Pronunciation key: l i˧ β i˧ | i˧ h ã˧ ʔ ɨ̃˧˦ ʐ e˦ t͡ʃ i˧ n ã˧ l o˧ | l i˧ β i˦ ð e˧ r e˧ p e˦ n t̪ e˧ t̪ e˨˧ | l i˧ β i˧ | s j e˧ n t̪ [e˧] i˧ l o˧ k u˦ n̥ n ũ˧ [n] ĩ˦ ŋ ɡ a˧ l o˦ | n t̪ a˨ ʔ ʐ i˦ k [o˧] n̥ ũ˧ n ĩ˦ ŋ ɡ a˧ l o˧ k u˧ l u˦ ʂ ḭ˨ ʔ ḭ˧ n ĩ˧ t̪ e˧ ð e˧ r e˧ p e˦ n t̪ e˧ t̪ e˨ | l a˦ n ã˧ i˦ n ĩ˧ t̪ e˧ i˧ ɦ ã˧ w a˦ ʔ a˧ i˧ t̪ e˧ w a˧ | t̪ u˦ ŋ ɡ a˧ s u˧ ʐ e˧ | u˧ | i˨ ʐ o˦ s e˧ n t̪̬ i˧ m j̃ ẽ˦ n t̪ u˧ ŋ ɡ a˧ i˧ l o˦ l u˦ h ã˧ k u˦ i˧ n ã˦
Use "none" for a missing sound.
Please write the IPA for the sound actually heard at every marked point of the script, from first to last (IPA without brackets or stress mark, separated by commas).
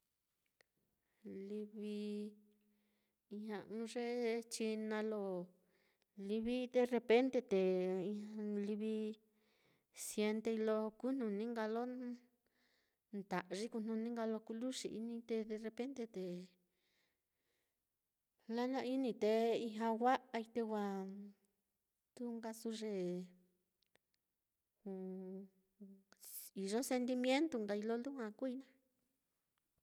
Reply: e˧, n, u˧